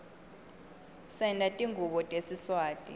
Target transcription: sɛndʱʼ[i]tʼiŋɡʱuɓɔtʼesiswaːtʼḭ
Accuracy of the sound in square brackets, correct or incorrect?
incorrect